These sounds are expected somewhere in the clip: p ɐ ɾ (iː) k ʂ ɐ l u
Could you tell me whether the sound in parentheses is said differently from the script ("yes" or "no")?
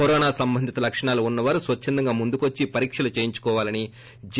no